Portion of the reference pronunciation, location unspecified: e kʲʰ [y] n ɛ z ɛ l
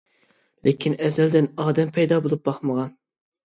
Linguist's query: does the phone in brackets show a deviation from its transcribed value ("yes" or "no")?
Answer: yes